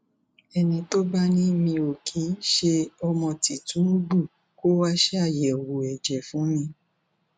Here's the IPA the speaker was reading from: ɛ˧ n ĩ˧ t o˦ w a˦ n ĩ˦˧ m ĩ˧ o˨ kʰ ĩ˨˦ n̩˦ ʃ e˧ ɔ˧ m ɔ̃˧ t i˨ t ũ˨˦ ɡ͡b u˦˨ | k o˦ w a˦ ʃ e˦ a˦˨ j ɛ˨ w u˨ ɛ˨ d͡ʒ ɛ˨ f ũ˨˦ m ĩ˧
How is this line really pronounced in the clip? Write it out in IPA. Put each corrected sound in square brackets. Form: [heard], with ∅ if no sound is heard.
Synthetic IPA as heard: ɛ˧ n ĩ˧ t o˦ [b] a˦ n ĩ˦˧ m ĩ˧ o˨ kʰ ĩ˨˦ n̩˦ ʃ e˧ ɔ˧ m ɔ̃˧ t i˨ t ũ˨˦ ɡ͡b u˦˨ | k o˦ w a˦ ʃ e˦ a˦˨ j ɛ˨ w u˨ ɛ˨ d͡ʒ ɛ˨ f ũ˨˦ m ĩ˧